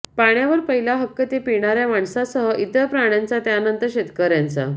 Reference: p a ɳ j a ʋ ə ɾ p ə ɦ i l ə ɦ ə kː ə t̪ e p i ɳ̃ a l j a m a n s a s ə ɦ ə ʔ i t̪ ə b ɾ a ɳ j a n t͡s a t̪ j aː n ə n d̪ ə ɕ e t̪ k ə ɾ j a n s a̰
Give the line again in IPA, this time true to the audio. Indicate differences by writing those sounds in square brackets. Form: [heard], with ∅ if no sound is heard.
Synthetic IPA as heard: p a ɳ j a ʋ ə ɾ p ə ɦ i l [a] ɦ ə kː ə t̪ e p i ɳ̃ a [ɾ] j a m a [ɳ] s a s ə ɦ ə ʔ i t̪ ə [p] ɾ a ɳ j a n t͡s a t̪ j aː n ə n [t̪] ə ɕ e t̪ k ə ɾ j a n [t͡s] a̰